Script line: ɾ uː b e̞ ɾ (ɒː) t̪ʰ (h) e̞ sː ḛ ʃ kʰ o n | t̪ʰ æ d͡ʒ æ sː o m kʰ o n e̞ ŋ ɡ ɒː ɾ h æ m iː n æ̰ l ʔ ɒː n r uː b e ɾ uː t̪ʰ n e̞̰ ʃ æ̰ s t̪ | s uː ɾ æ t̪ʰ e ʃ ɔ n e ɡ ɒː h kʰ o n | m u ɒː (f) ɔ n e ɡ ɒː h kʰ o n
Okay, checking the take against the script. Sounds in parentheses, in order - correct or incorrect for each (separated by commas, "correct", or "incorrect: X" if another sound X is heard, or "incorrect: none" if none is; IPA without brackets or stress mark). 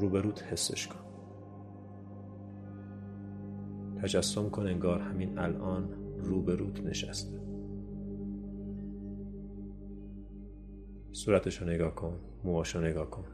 incorrect: uː, correct, incorrect: ʃ